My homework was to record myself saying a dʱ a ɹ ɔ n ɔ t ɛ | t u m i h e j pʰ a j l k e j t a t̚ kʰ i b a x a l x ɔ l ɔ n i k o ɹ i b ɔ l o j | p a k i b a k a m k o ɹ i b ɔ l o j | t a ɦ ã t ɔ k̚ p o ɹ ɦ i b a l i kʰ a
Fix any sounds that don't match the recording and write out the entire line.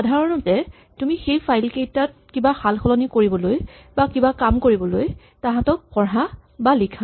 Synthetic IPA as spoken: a dʱ a ɹ ɔ n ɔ t ɛ | t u m i x e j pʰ a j l k e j t a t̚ k i b a x a l x ɔ l ɔ n i k o ɹ i b ɔ l o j | b a k i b a k a m k o ɹ i b ɔ l o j | t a ɦ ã t ɔ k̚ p ɔ ɹ ɦ a b a l i kʰ a